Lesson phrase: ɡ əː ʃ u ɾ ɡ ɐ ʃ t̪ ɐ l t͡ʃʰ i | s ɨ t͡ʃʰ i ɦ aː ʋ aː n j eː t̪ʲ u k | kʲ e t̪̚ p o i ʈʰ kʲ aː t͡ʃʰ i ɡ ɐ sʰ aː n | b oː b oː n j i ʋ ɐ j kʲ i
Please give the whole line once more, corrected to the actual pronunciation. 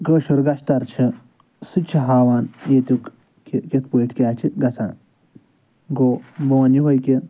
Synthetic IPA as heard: ɡ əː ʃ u ɾ ɡ ɐ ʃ t̪ ɐ ɾ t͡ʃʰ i | s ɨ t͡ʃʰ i ɦ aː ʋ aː n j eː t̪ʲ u k | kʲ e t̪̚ p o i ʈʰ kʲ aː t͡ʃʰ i ɡ ɐ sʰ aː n | ɡ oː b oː n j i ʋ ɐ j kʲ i